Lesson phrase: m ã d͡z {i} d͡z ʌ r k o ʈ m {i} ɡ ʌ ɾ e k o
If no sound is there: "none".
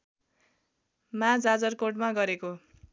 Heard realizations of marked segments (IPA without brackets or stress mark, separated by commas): a, a